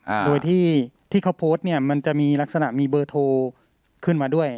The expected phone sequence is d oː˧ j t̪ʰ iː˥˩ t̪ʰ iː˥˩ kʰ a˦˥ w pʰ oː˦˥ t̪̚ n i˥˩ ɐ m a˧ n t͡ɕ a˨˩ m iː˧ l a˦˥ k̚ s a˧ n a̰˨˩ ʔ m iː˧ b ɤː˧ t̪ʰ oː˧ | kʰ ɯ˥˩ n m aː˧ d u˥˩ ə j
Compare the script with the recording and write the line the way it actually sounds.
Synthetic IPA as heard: d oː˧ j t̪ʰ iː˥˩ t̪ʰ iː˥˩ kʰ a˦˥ w pʰ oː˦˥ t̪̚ n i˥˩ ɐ m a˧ n t͡ɕ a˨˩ m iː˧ l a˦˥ k̚ s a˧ n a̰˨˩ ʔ m iː˧ b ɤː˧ t̪ʰ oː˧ | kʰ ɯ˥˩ n m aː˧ d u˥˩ ə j